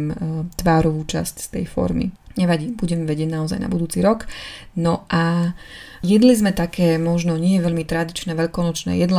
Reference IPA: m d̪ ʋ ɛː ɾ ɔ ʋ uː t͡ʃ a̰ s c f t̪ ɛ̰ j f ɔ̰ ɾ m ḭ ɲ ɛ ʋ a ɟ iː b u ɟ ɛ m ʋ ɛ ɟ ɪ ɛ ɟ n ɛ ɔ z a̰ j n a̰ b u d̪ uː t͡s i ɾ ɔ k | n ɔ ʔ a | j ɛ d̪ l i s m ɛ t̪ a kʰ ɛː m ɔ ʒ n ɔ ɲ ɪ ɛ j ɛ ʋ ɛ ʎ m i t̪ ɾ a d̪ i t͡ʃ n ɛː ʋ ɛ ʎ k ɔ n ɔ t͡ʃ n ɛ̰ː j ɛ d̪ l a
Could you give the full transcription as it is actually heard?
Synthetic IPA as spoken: m t̪ ʋ aː ɾ ɔ ʋ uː t͡ʃ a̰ s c s t̪ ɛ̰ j f ɔ̰ ɾ m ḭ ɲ ɛ ʋ a ɟ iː b u ɟ ɛ m ʋ ɛ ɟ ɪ ɛ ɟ n a ɔ z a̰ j n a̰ b u d̪ uː t͡s i ɾ ɔ k | n ɔ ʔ a | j ɛ d̪ l i z m ɛ t̪ a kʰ ɛː m ɔ ʒ n ɔ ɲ ɪ ɛ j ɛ ʋ ɛ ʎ m i t̪ ɾ a d̪ i t͡ʃ n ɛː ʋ ɛ ʎ k ɔ n ɔ t͡ʃ n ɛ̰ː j ɛ d̪ l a